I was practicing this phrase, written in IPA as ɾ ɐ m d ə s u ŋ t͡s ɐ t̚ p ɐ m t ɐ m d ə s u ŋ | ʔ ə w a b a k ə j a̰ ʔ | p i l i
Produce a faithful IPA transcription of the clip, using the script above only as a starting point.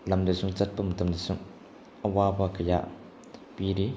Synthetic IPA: l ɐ m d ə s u ŋ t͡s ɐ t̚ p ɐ m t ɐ m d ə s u ŋ | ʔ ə w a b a k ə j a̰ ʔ | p i ɾ i